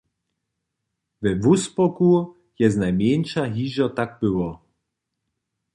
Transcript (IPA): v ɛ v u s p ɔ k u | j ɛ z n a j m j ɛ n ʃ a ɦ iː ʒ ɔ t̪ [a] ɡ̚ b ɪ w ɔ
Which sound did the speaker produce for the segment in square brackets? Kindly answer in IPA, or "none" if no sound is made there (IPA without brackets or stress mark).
a